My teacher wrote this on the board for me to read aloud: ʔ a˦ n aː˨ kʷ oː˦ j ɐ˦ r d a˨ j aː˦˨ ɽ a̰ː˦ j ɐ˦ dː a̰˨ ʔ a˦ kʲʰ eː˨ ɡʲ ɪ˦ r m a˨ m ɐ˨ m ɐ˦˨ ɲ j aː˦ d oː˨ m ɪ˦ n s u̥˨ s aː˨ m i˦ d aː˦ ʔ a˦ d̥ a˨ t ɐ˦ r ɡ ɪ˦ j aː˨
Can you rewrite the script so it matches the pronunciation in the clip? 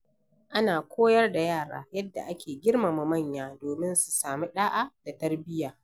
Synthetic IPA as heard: ʔ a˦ n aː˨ kʷ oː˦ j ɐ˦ r d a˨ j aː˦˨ ɽ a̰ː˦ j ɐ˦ dː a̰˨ ʔ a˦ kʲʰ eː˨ ɡʲ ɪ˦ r m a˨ m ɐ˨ m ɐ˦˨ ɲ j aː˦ d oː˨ m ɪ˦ n s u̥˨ s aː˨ m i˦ ɗ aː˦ ʔ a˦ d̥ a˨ t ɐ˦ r b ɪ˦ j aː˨